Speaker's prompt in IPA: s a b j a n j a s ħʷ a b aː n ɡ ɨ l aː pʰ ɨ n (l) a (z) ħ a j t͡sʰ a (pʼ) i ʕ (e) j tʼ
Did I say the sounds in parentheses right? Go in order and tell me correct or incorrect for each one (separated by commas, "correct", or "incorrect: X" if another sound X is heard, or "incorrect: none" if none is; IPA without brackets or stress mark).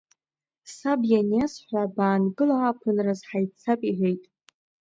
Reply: incorrect: r, correct, correct, correct